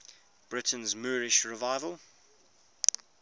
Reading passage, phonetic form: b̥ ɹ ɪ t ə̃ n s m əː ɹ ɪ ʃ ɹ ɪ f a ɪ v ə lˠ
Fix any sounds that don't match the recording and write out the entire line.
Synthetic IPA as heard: b̥ ɹ ɪ t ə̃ n z m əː ɹ ɪ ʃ ɹ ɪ v a ɪ v ə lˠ

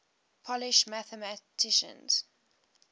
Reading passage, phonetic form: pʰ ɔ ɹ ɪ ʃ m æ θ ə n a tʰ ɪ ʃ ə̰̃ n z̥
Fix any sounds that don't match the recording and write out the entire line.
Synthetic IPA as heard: pʰ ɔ l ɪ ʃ m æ θ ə m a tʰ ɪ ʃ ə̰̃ n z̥

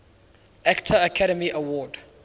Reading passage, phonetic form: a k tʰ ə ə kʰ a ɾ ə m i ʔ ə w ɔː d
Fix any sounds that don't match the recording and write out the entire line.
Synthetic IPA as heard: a k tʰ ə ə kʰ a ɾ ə m i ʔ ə w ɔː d

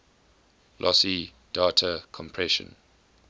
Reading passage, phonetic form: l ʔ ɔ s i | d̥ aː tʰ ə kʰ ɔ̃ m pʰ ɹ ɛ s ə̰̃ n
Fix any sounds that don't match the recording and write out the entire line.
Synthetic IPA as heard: l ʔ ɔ s i | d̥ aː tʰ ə kʰ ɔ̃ m pʰ ɹ ɛ ʃ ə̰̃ n

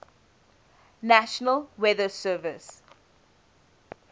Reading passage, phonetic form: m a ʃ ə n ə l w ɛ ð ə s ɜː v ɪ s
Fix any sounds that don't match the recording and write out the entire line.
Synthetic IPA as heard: n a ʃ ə n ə l w ɛ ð ə s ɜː v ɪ s

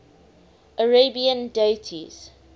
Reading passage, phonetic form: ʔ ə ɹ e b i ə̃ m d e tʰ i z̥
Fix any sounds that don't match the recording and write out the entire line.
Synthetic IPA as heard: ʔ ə ɹ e b i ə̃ n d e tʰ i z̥

